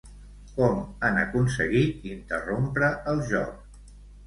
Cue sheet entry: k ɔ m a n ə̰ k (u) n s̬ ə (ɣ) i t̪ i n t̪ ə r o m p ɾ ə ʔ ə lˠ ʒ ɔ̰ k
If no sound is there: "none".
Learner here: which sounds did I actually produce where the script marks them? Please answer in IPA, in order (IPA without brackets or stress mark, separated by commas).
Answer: u, ɣ